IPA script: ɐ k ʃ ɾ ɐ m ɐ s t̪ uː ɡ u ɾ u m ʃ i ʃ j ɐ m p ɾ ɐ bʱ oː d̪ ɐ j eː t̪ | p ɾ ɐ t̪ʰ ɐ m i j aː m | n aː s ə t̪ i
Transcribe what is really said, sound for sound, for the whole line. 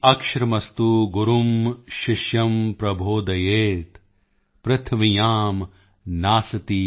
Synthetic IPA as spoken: ɐ k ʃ ɾ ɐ m ɐ s t̪ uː ɡ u ɾ u m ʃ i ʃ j ɐ m p ɾ ɐ bʱ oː d̪ ɐ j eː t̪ | p ɾ ɐ t̪ʰ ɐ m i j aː m | n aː s ɐ t̪ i

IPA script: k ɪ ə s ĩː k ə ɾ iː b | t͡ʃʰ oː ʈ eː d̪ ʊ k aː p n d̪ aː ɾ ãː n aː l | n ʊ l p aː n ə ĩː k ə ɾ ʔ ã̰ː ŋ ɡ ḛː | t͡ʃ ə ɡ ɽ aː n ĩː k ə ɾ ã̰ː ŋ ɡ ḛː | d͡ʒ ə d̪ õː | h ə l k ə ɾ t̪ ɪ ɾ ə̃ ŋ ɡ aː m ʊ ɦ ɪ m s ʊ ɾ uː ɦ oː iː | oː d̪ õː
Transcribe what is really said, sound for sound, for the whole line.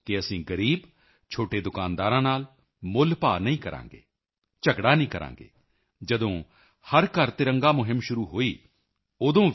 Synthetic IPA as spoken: k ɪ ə s ĩː ɡ ə ɾ iː b | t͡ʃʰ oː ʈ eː d̪ ʊ k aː n d̪ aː ɾ ãː n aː l | m ʊ l p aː n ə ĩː k ə ɾ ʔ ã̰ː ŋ ɡ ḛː | t͡ʃ ə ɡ ɽ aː n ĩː k ə ɾ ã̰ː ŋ ɡ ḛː | d͡ʒ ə d̪ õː | h ə ɾ k ə ɾ t̪ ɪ ɾ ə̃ ŋ ɡ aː m ʊ ɦ ɪ m ʃ ʊ ɾ uː ɦ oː iː | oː d̪ õː

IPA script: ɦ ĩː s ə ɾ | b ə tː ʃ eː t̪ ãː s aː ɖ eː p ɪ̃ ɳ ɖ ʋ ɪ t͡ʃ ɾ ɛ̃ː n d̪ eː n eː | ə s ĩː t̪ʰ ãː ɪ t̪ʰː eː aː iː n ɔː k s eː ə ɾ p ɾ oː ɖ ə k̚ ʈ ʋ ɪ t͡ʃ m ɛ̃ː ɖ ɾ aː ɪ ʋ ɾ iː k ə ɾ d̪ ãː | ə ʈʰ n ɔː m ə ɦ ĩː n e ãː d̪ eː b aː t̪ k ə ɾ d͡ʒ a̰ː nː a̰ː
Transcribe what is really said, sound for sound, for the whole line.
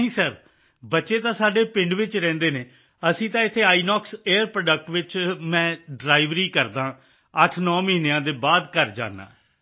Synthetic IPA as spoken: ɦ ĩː s ə ɾ | b ə tː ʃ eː t̪ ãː s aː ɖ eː p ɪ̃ ɳ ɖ ʋ ɪ t͡ʃ ɾ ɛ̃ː n d̪ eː n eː | ə s ĩː t̪ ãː ɪ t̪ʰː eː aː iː n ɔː k s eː ə ɾ p ɾ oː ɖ ə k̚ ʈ ʋ ɪ t͡ʃ m ɛ̃ː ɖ ɾ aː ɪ ʋ ɾ iː k ə ɾ d̪ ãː | ə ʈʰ n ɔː m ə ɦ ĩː n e ãː d̪ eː b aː d̪ k ə ɾ d͡ʒ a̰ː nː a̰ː

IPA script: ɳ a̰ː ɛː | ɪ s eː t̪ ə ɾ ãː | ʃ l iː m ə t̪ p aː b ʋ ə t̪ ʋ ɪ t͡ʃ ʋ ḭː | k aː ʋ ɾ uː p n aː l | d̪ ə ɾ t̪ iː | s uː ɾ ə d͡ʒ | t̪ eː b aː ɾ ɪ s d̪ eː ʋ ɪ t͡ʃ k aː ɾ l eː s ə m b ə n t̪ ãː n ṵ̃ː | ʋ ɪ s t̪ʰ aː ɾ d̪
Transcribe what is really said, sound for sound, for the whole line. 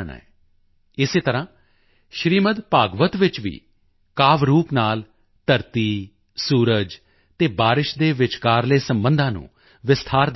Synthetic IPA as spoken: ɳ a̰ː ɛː | ɪ s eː t̪ ə ɾ ãː | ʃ ɾ iː m ə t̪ p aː ɡ ʋ ə t̪ ʋ ɪ t͡ʃ ʋ ḭː | k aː ʋ ɾ uː p n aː l | t̪ ə ɾ t̪ iː | s uː ɾ ə d͡ʒ | t̪ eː b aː ɾ ɪ ʃ d̪ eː ʋ ɪ t͡ʃ k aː ɾ l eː s ə m b ə n d̪ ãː n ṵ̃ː | ʋ ɪ s t̪ʰ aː ɾ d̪

